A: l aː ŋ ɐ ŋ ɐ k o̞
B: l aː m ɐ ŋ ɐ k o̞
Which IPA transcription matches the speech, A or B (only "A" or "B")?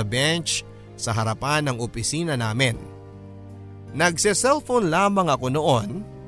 B